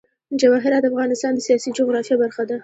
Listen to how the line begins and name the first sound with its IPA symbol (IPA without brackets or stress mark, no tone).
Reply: d͡ʒ